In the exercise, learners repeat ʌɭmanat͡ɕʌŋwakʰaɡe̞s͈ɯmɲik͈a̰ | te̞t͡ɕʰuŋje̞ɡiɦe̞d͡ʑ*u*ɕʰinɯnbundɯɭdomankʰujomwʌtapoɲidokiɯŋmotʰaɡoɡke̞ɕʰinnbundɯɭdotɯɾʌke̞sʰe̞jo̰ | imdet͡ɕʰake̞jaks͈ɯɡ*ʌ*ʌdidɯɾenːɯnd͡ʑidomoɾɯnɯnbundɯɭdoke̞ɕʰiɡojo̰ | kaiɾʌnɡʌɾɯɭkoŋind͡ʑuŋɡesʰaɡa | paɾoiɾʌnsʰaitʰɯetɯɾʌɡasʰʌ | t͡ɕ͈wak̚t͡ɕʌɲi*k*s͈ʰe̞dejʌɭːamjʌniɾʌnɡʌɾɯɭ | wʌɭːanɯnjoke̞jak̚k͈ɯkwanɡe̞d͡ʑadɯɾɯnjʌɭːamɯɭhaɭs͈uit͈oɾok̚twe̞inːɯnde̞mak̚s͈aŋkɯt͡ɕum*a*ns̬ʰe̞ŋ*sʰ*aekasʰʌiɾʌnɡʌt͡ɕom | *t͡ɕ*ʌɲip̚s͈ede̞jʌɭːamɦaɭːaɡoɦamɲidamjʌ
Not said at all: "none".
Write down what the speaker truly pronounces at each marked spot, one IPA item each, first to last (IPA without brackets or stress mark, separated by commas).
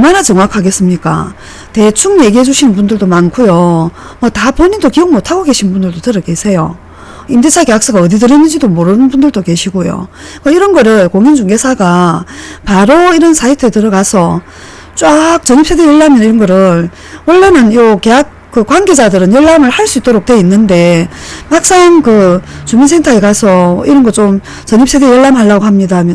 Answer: u, a, p, i, tʰ, t͡ɕ